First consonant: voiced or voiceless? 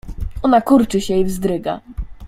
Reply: voiced